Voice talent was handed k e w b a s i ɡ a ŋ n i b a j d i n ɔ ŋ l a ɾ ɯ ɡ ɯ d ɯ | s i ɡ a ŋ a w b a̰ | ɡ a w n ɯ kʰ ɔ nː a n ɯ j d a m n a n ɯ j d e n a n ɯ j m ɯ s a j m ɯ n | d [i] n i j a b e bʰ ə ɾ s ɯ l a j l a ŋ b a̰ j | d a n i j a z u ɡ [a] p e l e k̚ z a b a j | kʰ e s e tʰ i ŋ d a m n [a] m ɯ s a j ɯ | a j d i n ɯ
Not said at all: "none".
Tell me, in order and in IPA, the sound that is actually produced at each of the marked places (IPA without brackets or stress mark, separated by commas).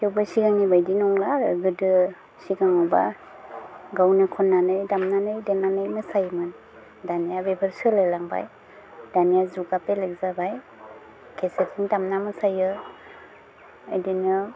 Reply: a, a, a